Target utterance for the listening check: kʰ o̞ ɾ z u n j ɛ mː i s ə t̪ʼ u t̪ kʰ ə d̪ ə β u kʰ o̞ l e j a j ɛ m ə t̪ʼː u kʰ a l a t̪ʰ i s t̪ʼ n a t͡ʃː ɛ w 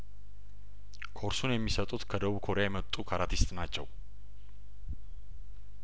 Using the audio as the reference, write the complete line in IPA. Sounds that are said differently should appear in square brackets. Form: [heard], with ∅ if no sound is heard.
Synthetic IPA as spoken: kʰ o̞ ɾ [s] u n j ɛ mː i s ə t̪ʼ u t̪ kʰ ə d̪ ə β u kʰ o̞ [ɾ] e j a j ɛ m ə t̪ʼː u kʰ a [ɾ] a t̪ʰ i s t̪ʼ n a t͡ʃː ɛ w